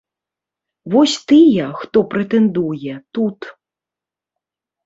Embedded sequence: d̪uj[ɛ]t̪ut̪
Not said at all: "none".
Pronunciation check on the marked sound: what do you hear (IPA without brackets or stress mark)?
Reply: ɛ